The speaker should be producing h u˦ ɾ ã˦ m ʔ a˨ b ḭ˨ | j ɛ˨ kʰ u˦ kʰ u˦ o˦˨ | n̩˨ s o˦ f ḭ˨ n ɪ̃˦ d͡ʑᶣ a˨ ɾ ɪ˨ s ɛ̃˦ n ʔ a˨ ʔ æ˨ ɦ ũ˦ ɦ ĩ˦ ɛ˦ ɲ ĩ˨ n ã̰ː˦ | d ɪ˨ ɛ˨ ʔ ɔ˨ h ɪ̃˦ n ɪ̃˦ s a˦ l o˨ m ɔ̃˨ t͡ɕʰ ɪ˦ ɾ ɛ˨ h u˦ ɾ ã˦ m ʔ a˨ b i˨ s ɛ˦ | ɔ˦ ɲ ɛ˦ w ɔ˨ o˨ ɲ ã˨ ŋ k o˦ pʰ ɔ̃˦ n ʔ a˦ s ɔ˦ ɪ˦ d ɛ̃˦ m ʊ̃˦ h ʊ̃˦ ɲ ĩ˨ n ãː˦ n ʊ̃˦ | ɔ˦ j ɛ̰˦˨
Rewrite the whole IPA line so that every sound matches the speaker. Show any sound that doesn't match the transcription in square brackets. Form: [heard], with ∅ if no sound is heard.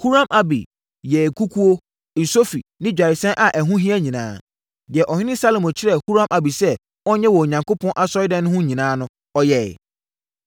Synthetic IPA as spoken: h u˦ ɾ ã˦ m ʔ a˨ b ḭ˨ | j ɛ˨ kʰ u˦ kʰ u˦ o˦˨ | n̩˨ s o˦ f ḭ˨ n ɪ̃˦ d͡ʑᶣ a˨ ɾ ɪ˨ s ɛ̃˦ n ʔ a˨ ʔ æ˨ ɦ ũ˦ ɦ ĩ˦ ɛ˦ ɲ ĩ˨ n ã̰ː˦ | d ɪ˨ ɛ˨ ʔ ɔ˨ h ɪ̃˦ n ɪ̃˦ s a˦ l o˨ m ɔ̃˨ t͡ɕʰ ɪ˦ ɾ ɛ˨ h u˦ ɾ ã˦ m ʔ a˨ b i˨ s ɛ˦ | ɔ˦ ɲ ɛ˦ w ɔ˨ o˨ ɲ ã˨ ŋ k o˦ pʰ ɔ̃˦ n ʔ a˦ s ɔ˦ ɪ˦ d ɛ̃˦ [n] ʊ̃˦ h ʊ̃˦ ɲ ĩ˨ n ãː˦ n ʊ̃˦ | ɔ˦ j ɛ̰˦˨

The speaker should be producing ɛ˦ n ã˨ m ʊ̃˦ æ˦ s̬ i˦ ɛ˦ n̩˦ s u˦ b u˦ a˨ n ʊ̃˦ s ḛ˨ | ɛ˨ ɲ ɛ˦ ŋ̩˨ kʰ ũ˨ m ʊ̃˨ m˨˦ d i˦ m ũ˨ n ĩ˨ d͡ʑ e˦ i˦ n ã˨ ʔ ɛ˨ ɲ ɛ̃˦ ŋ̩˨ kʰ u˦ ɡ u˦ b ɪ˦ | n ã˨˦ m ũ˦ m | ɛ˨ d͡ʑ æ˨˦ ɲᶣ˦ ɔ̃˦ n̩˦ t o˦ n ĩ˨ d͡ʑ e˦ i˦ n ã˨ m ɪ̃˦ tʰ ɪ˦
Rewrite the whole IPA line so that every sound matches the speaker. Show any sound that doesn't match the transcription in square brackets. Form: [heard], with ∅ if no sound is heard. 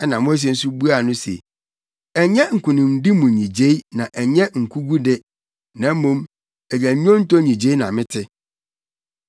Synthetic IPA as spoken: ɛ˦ n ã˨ m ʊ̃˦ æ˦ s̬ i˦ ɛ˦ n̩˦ s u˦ b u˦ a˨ n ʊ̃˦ s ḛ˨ | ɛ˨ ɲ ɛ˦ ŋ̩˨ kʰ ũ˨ [n] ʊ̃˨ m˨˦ d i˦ m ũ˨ [ɲ] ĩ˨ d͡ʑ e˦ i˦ n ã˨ ʔ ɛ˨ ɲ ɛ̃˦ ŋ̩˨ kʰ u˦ ɡ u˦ [d] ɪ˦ | n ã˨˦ m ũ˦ m | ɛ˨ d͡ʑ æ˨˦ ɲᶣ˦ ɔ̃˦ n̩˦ t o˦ [ɲ] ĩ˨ d͡ʑ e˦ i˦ n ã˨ m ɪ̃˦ tʰ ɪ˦

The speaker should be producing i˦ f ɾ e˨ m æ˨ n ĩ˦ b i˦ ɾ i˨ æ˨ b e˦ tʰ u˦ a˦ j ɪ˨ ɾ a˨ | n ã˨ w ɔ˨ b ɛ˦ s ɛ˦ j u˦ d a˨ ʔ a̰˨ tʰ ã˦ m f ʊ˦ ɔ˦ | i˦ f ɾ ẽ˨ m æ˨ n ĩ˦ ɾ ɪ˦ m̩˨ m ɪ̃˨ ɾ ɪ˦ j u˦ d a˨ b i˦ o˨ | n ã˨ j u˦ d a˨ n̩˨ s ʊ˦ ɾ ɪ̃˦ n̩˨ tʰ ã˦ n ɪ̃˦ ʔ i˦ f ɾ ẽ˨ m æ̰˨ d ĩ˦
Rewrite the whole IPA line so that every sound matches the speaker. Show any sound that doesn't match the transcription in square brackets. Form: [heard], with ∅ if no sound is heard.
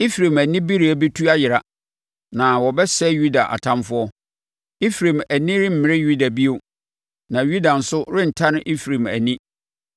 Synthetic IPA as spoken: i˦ f ɾ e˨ m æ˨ n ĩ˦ b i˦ ɾ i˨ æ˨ b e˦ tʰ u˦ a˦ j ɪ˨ ɾ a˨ | n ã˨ w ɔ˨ b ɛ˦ s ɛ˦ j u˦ d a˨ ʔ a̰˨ tʰ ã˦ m f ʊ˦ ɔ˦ | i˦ f ɾ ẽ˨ m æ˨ n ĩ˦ ɾ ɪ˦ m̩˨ m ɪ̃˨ ɾ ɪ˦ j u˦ d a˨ b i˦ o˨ | n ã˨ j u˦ d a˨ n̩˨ s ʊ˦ ɾ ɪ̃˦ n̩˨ tʰ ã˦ n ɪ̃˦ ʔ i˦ f ɾ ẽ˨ m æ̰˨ [n] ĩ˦

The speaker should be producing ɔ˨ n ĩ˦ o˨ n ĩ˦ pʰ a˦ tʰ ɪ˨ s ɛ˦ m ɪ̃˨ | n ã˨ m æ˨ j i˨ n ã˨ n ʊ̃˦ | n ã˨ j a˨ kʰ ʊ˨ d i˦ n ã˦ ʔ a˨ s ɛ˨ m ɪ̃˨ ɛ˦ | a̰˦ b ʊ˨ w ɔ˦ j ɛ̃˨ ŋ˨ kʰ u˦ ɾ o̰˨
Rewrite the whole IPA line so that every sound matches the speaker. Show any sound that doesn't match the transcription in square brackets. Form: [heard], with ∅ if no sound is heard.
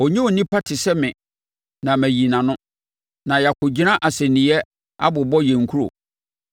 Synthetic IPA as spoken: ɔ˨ [ɲ] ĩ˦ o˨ n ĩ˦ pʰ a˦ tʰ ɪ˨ s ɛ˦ m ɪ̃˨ | n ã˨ m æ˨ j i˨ n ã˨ n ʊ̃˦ | n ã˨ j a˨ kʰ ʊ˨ [d͡ʑ] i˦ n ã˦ ʔ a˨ s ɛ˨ [n] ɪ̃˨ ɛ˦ | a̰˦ b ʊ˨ [b] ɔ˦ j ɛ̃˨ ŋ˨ kʰ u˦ ɾ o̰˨

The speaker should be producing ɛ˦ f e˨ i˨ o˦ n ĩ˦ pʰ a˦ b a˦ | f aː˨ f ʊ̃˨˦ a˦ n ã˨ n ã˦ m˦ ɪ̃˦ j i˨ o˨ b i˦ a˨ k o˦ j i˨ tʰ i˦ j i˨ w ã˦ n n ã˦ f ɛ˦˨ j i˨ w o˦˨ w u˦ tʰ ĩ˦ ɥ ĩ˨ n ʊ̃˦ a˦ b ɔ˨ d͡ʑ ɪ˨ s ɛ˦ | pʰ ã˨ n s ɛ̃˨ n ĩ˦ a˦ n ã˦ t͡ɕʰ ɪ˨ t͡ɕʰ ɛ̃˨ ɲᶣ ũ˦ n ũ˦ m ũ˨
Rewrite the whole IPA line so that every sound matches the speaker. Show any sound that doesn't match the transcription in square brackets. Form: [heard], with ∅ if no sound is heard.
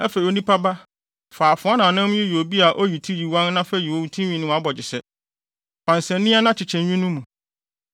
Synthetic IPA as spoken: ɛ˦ f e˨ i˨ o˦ n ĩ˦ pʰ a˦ b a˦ | f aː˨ f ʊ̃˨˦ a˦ n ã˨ n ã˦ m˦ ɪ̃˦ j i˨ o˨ b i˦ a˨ [ʔ] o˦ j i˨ tʰ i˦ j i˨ w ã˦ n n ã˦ f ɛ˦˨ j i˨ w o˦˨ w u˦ tʰ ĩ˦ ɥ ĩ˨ n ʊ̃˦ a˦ b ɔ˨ d͡ʑ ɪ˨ s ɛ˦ | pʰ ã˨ n s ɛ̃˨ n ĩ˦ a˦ n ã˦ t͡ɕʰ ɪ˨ t͡ɕʰ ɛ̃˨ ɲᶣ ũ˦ n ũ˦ m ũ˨

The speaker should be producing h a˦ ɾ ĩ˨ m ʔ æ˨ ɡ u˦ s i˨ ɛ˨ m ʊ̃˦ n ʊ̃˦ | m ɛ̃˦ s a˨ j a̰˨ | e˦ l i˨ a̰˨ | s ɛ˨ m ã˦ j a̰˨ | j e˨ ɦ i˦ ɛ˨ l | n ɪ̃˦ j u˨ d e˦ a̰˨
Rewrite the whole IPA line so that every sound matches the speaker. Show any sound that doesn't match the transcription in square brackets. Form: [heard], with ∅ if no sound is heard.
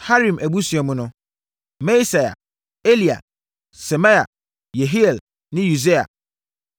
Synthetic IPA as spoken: h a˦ ɾ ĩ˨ m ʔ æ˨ [b] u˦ s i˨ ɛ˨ m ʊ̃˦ n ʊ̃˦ | m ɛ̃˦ s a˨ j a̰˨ | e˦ l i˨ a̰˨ | s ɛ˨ m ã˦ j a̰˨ | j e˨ ɦ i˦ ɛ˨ l | n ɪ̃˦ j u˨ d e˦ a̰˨

